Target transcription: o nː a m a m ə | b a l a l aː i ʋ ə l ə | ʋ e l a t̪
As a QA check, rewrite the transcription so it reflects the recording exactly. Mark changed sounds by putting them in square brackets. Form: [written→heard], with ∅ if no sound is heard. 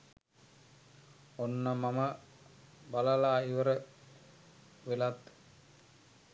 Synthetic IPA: o nː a m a m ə | b a l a l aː i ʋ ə [l→ɾ] ə | ʋ e l a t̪